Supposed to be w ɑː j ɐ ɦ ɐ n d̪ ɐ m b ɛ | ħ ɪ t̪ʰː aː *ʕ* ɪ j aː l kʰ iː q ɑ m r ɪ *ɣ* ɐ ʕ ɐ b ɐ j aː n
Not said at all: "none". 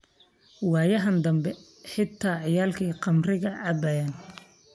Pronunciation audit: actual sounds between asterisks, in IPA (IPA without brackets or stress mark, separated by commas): ʕ, ɣ